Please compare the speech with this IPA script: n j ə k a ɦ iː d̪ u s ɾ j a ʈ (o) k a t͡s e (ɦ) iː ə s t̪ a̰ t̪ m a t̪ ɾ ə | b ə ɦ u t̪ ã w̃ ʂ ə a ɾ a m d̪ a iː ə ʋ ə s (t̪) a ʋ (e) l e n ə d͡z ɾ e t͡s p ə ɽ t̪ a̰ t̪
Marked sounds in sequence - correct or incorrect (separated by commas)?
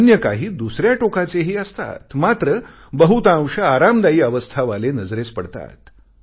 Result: correct, correct, incorrect, incorrect